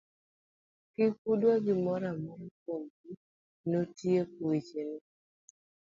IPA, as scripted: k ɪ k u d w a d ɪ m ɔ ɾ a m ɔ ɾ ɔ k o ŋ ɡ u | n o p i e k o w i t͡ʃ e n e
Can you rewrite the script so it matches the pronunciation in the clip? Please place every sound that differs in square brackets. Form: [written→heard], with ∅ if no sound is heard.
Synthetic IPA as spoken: k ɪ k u d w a [d→ɡ] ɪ m ɔ ɾ a m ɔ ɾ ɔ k o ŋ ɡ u | n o [p→t] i e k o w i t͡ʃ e n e